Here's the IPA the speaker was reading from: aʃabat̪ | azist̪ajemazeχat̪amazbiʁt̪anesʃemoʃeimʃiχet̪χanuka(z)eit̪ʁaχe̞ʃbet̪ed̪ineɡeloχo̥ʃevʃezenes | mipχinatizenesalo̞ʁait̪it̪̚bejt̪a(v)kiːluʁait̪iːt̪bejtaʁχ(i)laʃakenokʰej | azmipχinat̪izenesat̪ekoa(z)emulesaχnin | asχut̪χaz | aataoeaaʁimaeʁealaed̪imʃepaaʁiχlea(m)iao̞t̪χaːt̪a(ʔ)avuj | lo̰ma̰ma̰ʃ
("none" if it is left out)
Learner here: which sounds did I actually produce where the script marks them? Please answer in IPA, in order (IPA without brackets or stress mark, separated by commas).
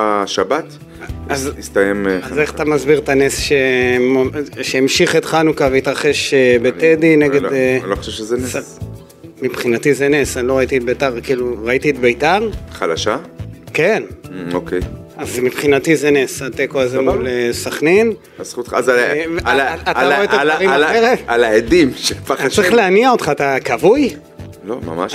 v, ʁ, a, z, n, k